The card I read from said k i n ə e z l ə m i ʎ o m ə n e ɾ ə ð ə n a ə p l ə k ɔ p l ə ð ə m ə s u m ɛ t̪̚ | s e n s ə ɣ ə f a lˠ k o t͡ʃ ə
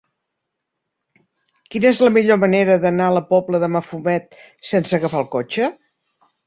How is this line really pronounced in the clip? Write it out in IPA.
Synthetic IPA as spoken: k i n ə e z l ə m i ʎ o m ə n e ɾ ə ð ə n a ə l ə p ɔ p l ə ð ə m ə f u m ɛ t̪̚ | s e n s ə ɣ ə f a lˠ k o t͡ʃ ə

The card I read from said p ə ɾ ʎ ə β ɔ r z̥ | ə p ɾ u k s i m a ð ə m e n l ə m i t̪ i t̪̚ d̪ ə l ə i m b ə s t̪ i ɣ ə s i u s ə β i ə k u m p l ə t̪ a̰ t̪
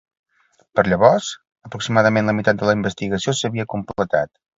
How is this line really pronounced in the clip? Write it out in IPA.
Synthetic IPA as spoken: p ə ɾ ʎ ə β ɔ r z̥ | ə p ɾ u k s i m a ð ə m e n l ə m i t̪ a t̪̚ d̪ ə l ə i m b ə s t̪ i ɣ ə s i o s ə β i ə k u m p l ə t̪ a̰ t̪

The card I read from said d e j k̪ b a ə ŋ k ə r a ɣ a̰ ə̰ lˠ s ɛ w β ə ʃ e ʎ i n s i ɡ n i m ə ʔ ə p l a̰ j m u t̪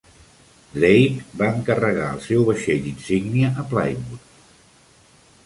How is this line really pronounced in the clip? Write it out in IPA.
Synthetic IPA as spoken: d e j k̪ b a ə ŋ k ə r ə ɣ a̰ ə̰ lˠ s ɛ w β ə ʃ e ʎ i n s i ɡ n i ə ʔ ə p l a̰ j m u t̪

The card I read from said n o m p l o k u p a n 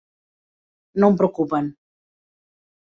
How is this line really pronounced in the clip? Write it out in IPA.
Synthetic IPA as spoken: n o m p ɾ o k u p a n

